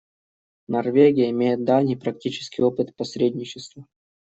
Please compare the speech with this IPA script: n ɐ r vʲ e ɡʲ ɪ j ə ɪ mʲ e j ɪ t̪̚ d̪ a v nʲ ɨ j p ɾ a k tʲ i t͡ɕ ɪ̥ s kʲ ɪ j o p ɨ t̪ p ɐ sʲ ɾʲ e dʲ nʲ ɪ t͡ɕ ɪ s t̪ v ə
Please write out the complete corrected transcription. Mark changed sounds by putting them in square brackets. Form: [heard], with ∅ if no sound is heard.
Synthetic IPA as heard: n ɐ r vʲ e ɡʲ ɪ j ə ɪ mʲ e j ɪ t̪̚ d̪ a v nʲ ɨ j p ɾ [ɐ] k tʲ i t͡ɕ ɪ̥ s kʲ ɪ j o p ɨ t̪ p ɐ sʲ ɾʲ e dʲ nʲ ɪ t͡ɕ ɪ s t̪ v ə